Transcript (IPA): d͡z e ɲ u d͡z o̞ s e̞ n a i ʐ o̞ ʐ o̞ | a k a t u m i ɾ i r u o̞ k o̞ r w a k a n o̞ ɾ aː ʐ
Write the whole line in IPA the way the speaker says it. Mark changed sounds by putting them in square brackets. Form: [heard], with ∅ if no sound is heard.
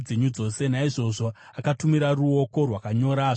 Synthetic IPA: d͡z e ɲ u d͡z o̞ s e̞ n a i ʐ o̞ ʐ o̞ | a k a t u m i ɾ [a] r u o̞ k o̞ r w a k a [ɲ] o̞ ɾ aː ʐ